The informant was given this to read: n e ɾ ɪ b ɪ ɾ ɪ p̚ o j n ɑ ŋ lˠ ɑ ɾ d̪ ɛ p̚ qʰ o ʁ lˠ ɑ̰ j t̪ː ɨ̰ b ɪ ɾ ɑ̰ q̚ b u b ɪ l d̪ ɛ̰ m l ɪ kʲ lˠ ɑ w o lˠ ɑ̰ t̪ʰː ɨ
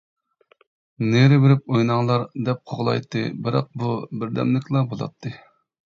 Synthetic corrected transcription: n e ɾ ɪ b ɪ ɾ ɪ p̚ o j n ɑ ŋ lˠ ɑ ɾ d̪ ɛ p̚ qʰ o ʁ lˠ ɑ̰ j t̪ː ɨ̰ b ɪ ɾ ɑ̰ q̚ b u b ɪ ɾ d̪ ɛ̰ m l ɪ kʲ lˠ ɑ b o lˠ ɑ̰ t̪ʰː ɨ

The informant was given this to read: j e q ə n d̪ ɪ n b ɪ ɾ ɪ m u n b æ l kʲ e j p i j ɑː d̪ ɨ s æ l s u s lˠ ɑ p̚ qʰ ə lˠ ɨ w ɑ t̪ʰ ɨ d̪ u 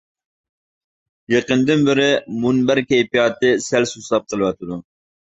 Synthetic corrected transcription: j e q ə n d̪ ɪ n b ɪ ɾ ɪ m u n b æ ɾ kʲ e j p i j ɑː t̪ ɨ s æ l s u s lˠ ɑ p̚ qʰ ə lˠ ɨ w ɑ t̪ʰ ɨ d̪ u

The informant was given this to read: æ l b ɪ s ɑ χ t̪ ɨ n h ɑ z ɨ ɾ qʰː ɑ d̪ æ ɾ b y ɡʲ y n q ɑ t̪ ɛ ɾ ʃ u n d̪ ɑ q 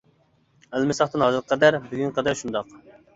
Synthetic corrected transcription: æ l m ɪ s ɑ χ t̪ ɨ n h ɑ z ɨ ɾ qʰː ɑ d̪ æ ɾ b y ɡʲ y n q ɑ d̪ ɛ ɾ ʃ u n d̪ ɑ q

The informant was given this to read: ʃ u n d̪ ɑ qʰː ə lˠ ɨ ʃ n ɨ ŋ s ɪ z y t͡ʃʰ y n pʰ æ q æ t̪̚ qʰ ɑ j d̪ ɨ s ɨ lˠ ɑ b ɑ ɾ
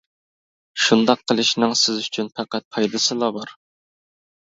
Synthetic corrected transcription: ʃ u n d̪ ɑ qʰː ə lˠ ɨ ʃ n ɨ ŋ s ɪ z y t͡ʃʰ y n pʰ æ q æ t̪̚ pʰ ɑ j d̪ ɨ s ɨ lˠ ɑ b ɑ ɾ

